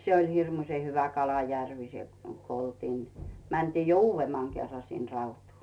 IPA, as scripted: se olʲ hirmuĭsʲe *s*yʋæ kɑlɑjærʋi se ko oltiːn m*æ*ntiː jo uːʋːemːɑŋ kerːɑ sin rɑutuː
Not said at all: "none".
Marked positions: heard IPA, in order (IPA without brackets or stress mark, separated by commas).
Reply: h, æ